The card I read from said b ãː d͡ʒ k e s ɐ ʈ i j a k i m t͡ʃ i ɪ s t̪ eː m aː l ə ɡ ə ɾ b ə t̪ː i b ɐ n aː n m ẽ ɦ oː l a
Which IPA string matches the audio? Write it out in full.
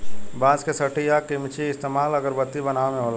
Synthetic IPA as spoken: b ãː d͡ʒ k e s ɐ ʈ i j a k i m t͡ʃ i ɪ s t̪ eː m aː l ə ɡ ə ɾ b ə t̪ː i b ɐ n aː m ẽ ɦ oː l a